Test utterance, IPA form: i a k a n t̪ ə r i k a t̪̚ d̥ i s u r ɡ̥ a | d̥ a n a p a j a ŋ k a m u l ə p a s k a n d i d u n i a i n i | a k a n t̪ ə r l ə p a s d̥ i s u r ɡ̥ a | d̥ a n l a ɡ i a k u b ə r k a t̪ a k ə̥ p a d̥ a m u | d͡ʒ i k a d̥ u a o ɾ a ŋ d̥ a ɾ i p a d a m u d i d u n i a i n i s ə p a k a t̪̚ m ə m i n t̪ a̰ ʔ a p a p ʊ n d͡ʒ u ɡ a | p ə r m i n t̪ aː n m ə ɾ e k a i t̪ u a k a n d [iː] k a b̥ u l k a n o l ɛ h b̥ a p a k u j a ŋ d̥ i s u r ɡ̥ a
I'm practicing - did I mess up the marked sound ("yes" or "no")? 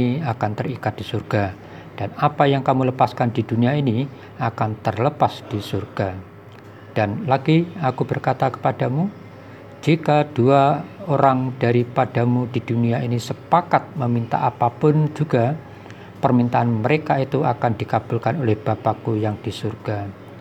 yes